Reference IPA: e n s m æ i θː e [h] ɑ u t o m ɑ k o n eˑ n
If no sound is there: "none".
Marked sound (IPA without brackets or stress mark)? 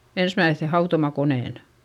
h